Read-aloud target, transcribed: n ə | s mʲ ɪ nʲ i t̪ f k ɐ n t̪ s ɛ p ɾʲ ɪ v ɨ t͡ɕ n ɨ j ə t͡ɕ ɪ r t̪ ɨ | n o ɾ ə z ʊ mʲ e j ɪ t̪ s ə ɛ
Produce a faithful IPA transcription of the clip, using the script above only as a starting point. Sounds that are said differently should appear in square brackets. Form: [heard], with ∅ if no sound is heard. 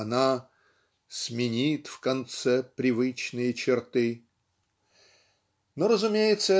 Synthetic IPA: n [a] | s mʲ ɪ nʲ i t̪ f k ɐ n t̪ s ɛ p ɾʲ ɪ v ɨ t͡ɕ n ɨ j ə t͡ɕ ɪ r t̪ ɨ | n o ɾ ə z ʊ mʲ e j ɪ t̪ s ə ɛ

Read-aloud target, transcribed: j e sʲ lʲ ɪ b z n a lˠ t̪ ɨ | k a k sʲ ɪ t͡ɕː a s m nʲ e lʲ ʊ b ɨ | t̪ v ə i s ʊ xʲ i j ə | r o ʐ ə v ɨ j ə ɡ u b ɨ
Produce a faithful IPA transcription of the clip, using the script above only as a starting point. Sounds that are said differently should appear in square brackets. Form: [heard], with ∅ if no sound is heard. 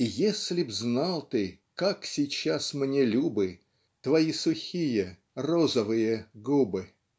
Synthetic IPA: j e sʲ lʲ ɪ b z n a lˠ t̪ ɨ | k a k sʲ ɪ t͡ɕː a s m nʲ e lʲ [u] b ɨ | t̪ v [ɐ] i s ʊ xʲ i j ə | r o [z] ə v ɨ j ə ɡ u b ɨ

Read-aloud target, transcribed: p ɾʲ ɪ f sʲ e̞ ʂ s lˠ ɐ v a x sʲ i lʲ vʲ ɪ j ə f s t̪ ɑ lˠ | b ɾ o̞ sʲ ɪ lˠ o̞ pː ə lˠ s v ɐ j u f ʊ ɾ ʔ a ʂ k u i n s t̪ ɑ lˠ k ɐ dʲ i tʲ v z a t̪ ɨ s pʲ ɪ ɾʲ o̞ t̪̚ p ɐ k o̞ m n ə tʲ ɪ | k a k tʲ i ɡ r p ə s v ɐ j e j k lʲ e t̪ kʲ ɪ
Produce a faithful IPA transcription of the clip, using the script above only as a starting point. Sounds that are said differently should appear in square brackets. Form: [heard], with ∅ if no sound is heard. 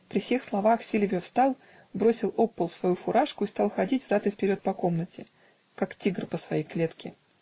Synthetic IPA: p ɾʲ ɪ f sʲ e̞ [x] s lˠ ɐ v a x sʲ i lʲ vʲ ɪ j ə f s t̪ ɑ lˠ | b ɾ o̞ sʲ ɪ lˠ o̞ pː ə lˠ s v ɐ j u f ʊ ɾ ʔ a ʂ k [ʊ] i [∅] s t̪ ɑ lˠ [x] ɐ dʲ i tʲ v z a t̪ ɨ [f] pʲ ɪ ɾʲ o̞ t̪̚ p ɐ k o̞ m n ə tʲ ɪ | k a k tʲ i ɡ r p ə s v ɐ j e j k lʲ e t̪ kʲ ɪ

